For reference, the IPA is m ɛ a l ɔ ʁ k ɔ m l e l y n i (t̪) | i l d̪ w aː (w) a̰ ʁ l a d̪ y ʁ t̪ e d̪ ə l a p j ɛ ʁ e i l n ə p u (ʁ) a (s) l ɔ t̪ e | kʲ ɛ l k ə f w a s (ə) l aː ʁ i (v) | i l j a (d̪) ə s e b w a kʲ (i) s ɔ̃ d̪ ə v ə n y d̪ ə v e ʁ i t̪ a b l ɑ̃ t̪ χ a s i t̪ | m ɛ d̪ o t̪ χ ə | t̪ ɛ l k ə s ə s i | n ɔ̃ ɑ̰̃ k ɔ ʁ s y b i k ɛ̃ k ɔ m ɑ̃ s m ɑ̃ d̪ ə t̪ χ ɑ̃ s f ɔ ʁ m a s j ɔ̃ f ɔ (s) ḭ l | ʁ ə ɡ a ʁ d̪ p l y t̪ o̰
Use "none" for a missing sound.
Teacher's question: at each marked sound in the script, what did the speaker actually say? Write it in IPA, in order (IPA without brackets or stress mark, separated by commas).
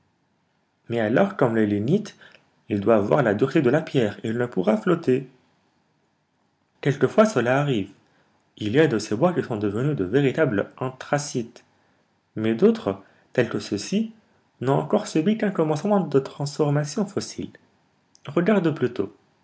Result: t̪, w, ʁ, f, ə, v, d̪, i, s